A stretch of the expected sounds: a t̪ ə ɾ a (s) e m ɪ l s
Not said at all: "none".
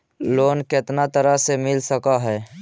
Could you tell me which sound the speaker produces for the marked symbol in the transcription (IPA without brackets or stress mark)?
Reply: s